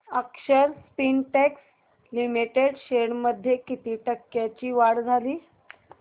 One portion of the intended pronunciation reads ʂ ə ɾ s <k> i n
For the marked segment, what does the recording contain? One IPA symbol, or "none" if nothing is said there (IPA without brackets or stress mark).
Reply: p